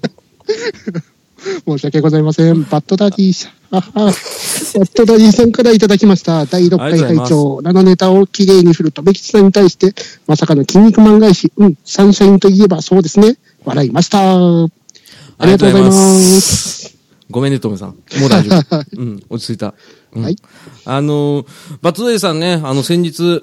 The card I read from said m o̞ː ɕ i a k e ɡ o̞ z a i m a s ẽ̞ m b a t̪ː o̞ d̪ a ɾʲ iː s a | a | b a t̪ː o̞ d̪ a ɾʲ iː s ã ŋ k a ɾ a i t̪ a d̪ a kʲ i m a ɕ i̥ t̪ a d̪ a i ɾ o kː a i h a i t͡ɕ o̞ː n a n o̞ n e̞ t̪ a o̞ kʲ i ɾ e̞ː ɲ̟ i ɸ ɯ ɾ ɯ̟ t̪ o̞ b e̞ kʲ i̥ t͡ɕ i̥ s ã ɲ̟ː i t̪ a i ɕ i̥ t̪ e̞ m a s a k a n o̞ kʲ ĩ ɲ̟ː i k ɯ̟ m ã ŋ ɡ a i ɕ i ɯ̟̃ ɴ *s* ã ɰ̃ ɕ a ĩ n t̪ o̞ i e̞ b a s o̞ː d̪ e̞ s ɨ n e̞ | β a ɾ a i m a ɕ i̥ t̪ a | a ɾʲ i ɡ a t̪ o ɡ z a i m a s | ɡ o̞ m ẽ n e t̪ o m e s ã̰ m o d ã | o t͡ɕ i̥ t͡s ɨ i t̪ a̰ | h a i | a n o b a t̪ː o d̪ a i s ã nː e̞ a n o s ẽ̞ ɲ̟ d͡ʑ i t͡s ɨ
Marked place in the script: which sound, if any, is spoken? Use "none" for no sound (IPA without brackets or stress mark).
s